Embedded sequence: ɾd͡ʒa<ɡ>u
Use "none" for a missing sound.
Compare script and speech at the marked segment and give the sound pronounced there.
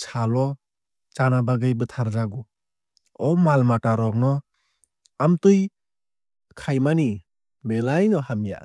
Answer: ɡ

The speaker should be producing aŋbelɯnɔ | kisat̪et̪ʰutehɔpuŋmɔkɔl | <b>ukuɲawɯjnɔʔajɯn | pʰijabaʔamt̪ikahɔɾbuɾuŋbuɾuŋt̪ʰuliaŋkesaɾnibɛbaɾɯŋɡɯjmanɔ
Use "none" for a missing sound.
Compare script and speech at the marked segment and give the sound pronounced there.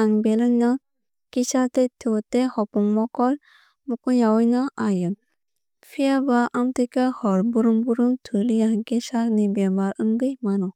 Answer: m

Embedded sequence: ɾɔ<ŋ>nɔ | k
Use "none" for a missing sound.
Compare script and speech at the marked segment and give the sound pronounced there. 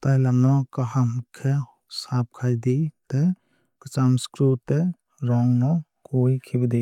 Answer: ŋ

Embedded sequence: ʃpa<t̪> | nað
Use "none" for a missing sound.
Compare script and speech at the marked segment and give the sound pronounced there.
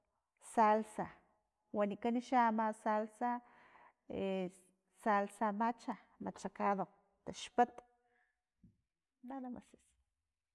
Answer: t̪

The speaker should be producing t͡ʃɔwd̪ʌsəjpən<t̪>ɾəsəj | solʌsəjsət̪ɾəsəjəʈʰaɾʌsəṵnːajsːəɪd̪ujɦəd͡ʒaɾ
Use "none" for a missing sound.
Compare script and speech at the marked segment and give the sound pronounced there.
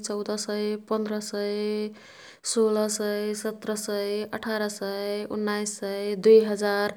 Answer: d̪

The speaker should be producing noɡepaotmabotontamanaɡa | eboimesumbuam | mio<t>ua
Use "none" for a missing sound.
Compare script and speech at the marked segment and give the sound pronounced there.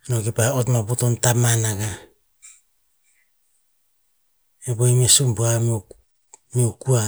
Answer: k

